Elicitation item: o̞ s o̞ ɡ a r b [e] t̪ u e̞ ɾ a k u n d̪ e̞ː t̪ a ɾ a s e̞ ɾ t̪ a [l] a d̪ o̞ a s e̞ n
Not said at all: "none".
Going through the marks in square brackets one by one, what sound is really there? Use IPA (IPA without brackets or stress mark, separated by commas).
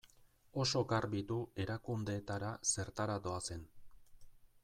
i, ɾ